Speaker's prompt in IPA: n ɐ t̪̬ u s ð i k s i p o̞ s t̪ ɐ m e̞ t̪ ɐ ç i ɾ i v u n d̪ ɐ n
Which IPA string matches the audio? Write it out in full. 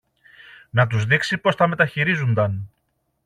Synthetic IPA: n ɐ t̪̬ u z ð i k s i p o̞ s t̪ ɐ m e̞ t̪ ɐ ç i ɾ i z u n d̪ ɐ n

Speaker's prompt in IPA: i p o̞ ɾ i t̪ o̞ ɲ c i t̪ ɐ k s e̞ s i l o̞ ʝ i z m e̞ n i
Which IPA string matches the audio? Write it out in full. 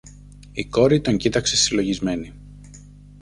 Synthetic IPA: i k o̞ ɾ i t̪ o̞ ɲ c i t̪ ɐ k s e̞ s i l o̞ ʝ i z m e̞ n i

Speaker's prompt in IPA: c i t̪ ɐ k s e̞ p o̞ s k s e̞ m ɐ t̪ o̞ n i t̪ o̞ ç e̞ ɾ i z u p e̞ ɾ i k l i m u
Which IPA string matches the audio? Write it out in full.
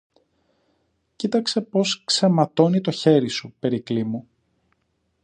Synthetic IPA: c i t̪ ɐ k s e̞ p o̞ s k s e̞ m ɐ t̪ o̞ n i t̪ o̞ ç e̞ ɾ i s u p e̞ ɾ i k l i m u

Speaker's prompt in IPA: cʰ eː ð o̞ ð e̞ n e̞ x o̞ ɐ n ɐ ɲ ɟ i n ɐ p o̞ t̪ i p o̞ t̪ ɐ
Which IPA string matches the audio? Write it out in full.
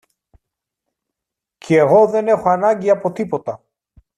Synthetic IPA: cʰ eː ɣ o̞ ð e̞ n e̞ x o̞ ɐ n ɐ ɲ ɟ i ɐ p o̞ t̪ i p o̞ t̪ ɐ

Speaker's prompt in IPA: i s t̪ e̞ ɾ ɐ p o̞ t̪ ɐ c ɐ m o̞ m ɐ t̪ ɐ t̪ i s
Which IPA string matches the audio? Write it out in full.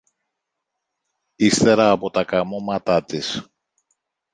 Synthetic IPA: i s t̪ e̞ ɾ ɐː p o̞ t̪ ɐ k ɐ m o̞ m ɐ t̪ ɐ t̪ i s

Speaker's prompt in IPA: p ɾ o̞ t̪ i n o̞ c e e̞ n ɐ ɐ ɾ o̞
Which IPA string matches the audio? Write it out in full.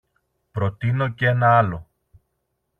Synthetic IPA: p ɾ o̞ t̪ i n o̞ c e e̞ n ɐ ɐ l o̞

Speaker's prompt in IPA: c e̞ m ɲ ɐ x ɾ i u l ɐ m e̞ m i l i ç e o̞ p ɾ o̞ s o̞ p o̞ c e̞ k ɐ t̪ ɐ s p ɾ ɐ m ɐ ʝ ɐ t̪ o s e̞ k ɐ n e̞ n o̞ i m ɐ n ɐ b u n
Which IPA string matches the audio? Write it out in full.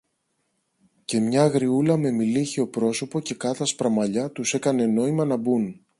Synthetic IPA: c e̞ m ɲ ɐ ɣ ɾ i u l ɐ m e̞ m i l i ç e o̞ p ɾ o̞ s o̞ p o̞ c e̞ k ɐ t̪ ɐ s p ɾ ɐ m ɐ ʎ ɐ t̪ u s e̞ k ɐ n e̞ n o̞ i m ɐ n ɐ b u n

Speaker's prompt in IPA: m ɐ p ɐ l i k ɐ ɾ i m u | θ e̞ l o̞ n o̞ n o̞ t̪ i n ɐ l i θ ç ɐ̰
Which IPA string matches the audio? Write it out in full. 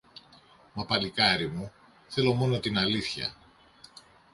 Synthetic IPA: m ɐ p ɐ l i k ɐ ɾ i m u | θ e̞ l o̞ m o̞ n o̞ t̪ i n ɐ l i θ ç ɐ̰

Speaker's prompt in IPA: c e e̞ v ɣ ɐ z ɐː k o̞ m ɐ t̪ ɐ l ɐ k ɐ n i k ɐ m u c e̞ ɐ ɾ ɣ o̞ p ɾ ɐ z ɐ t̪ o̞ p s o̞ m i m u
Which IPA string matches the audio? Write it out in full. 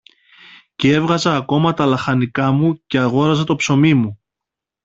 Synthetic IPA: c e e̞ v ɣ ɐ z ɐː k o̞ m ɐ t̪ ɐ l ɐ x ɐ n i k ɐ m u c e̞ ɐ ɣ o̞ ɾ ɐ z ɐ t̪ o̞ p s o̞ m i m u

